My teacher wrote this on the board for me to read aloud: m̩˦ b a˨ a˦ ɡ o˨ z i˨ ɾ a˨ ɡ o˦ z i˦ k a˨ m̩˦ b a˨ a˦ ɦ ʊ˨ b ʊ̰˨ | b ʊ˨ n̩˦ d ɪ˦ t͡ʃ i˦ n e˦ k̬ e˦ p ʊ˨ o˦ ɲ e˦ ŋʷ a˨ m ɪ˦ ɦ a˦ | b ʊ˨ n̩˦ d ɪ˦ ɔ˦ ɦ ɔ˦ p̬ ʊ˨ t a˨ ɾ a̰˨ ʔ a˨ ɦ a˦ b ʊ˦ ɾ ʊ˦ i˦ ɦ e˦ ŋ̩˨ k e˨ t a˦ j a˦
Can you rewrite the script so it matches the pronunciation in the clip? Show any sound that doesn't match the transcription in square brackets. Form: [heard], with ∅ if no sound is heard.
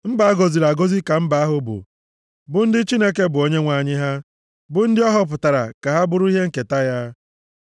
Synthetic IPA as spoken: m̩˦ b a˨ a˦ ɡ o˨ z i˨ ɾ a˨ ɡ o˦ z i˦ k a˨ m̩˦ b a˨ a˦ ɦ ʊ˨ b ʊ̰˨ | b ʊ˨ n̩˦ d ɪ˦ t͡ʃ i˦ n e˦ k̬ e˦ [b] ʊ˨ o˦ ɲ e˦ ŋʷ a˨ [ɲ] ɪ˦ ɦ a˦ | b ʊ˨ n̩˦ d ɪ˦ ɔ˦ ɦ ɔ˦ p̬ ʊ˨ t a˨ ɾ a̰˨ [k] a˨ ɦ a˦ b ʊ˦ ɾ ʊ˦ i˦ ɦ e˦ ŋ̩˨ k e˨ t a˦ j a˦